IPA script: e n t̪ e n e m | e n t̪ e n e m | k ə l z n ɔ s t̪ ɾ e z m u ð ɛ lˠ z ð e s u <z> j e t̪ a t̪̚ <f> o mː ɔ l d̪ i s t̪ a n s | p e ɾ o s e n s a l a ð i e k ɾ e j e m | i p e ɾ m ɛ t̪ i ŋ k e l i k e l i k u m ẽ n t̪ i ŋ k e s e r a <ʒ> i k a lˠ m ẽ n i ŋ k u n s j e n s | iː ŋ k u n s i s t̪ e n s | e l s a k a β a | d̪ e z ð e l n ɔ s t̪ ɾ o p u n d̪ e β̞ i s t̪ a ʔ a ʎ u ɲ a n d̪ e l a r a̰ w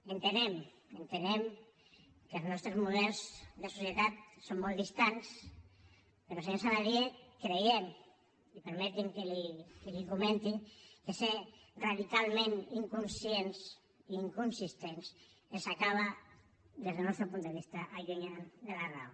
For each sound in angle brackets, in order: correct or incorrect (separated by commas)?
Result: incorrect, incorrect, incorrect